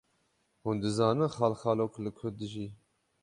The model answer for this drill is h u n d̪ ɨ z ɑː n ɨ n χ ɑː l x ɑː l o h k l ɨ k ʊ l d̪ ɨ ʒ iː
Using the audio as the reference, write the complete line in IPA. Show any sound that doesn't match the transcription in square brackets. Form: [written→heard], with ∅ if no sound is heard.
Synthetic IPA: h u n d̪ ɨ z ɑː n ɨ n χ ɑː l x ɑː l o [h→∅] k l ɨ [k→kʰ] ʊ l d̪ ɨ ʒ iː